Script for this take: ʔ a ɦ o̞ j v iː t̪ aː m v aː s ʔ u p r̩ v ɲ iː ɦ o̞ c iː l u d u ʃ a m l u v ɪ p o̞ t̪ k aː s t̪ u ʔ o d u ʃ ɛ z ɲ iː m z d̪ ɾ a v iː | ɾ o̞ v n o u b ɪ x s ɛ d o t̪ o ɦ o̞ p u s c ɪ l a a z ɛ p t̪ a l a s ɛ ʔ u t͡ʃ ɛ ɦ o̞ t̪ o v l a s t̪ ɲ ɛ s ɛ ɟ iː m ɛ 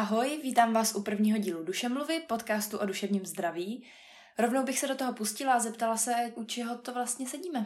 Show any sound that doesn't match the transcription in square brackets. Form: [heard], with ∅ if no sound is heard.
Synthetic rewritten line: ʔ a ɦ o̞ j v iː t̪ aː m v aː s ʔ u p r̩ v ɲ iː ɦ o̞ [ɟ] iː l u d u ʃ [ɛ] m l u v ɪ p o̞ t̪ k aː s t̪ u ʔ o d u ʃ ɛ [v] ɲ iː m z d̪ ɾ a v iː | ɾ o̞ v n o [w] b ɪ x s ɛ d o t̪ o ɦ o̞ p u s c ɪ l a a z ɛ p t̪ a l a s ɛ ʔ u t͡ʃ ɛ ɦ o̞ t̪ o v l a s t̪ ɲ ɛ s ɛ ɟ iː m ɛ